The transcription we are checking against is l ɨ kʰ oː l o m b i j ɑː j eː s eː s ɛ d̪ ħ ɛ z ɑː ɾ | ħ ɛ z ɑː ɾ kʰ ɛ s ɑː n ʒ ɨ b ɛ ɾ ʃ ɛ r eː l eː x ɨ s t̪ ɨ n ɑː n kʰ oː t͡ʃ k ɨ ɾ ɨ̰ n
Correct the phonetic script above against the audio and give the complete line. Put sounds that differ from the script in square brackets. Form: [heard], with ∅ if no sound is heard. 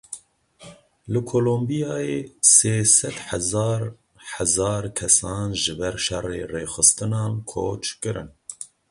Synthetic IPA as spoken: l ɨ kʰ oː l o m b i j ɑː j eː s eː s ɛ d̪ ħ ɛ z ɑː ɾ | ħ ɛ z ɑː ɾ kʰ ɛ s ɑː n ʒ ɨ b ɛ ɾ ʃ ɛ r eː [r] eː x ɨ s t̪ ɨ n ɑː n kʰ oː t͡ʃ k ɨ ɾ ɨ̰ n